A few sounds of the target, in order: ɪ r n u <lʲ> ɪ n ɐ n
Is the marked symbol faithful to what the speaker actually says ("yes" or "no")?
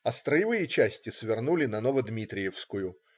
yes